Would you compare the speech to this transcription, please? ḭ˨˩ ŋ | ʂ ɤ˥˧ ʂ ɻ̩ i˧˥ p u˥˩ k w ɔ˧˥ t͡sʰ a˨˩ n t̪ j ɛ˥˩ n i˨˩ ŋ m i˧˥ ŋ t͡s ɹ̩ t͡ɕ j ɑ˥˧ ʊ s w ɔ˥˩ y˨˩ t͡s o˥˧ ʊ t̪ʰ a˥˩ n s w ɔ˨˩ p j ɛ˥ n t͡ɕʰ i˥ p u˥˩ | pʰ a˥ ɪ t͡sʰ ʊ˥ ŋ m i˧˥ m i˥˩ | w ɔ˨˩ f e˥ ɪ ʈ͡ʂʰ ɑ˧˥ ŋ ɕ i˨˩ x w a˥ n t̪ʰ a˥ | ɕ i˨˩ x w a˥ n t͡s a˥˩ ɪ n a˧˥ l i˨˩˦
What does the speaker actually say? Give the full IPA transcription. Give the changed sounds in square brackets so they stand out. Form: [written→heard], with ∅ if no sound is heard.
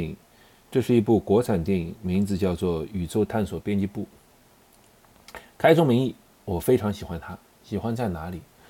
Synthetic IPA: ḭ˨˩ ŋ | [ʂ→ʈ͡ʂ] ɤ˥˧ ʂ ɻ̩ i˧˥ p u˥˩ k w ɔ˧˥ t͡sʰ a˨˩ n t̪ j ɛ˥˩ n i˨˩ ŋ m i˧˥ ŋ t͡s ɹ̩ t͡ɕ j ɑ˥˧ ʊ [s→t͡s] w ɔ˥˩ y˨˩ t͡s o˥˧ ʊ t̪ʰ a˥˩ n s w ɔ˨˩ p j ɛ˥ n [t͡ɕʰ→t͡ɕ] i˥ p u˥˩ | [pʰ→kʰ] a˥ ɪ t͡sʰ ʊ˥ ŋ m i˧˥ [m→ŋ] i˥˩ | w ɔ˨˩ f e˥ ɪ ʈ͡ʂʰ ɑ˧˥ ŋ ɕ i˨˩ x w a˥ n t̪ʰ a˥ | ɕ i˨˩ x w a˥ n t͡s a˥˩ ɪ n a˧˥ l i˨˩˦